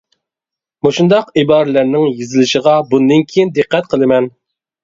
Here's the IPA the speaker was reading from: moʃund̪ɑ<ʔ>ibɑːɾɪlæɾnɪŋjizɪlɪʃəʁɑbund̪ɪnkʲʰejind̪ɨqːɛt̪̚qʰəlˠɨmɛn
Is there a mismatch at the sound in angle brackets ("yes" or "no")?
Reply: yes